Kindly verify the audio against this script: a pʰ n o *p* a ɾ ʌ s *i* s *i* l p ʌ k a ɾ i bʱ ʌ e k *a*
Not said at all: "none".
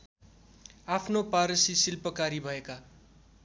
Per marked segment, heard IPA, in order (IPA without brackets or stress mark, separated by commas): p, i, i, a